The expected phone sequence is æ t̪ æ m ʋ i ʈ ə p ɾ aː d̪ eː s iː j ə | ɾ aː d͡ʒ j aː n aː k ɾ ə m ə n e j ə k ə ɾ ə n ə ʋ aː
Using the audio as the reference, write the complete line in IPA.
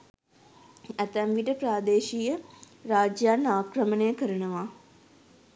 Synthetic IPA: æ t̪ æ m ʋ i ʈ ə p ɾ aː d̪ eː ʃ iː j ə | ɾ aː d͡ʒ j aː n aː k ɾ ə m ə n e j ə k ə ɾ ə n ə ʋ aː